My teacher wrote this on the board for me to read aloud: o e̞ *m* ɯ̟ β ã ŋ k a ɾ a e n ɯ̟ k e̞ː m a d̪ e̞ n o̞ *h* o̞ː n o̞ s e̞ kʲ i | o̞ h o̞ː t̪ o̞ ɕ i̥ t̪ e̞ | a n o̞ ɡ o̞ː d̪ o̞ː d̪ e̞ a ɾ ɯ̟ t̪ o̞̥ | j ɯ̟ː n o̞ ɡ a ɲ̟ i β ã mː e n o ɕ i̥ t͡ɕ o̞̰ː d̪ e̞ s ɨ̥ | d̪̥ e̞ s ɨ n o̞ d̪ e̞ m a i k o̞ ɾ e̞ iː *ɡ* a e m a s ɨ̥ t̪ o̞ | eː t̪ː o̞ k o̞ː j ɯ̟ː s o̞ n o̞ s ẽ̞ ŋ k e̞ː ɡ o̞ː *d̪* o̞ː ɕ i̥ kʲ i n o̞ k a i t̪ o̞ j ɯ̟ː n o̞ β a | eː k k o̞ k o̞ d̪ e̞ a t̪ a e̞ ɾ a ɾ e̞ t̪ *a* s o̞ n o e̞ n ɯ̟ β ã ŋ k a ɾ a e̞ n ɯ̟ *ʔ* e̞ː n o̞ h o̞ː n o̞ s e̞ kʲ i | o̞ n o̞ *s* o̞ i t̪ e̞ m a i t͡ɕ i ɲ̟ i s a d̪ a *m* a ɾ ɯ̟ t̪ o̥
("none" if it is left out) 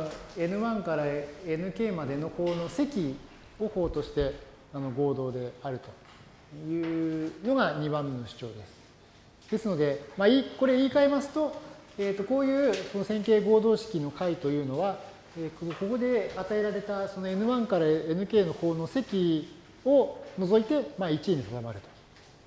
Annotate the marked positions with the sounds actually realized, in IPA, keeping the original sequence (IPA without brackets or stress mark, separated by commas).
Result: n, h, k, d̪, a, k, z, m